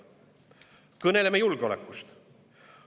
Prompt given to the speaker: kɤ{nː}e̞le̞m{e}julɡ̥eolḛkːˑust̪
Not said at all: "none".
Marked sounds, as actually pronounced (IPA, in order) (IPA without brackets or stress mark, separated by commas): n, e